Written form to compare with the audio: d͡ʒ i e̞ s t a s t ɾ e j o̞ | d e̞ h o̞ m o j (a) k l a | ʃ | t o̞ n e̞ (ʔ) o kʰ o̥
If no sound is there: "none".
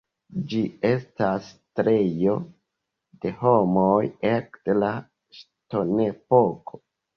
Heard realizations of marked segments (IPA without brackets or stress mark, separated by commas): e, p